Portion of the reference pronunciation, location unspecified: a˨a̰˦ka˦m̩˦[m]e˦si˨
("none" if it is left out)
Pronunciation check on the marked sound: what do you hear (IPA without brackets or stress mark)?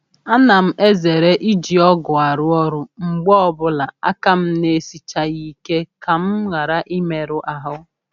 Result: n